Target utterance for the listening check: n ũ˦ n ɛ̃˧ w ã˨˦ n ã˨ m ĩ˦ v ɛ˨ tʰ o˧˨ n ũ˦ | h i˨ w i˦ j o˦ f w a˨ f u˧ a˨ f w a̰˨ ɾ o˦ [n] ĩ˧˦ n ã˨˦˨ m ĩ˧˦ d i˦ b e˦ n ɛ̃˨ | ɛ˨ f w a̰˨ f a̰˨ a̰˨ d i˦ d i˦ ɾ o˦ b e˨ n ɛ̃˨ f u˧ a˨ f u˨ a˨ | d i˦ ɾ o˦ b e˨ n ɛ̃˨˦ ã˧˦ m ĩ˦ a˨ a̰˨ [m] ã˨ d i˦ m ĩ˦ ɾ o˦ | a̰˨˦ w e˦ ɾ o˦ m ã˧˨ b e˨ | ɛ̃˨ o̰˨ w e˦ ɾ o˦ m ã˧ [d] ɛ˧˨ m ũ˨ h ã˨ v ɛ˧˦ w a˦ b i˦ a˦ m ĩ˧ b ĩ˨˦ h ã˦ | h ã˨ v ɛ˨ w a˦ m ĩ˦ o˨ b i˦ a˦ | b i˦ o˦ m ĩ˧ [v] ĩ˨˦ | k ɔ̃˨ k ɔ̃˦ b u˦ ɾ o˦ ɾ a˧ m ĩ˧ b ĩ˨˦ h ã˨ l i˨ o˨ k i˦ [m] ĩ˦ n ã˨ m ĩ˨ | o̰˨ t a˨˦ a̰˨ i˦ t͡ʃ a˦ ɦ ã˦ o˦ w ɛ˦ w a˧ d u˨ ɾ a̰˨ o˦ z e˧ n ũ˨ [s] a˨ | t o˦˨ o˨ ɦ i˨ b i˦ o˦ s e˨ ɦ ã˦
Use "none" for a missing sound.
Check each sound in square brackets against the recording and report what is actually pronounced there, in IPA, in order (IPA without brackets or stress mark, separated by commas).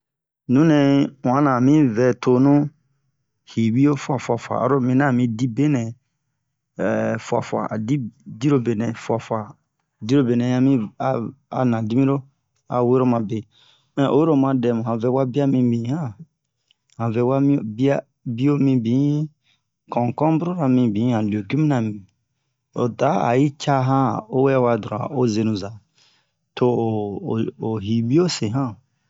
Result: m, n, d, b, m, z